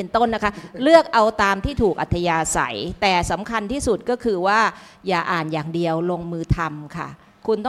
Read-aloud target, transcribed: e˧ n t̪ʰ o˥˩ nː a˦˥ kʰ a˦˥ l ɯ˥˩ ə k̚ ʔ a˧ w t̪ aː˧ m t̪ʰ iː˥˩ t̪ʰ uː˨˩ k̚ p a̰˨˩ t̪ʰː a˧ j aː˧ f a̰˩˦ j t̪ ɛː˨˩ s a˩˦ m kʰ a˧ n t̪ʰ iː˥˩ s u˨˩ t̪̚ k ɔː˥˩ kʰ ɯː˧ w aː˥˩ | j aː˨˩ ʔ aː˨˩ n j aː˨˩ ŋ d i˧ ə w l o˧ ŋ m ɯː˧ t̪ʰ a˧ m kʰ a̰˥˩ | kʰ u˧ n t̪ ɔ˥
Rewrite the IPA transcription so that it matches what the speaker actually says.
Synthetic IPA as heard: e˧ n t̪ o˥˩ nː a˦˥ kʰ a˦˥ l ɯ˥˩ ə k̚ ʔ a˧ w t̪ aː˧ m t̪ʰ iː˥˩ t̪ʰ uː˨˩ k̚ ʔ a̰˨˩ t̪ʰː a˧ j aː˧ s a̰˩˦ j t̪ ɛː˨˩ s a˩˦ m kʰ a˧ n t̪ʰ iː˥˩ s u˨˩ t̪̚ k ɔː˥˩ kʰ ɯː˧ w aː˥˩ | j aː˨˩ ʔ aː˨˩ n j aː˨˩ ŋ d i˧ ə w l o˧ ŋ m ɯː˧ t̪ʰ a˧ m kʰ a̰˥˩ | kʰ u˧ n t̪ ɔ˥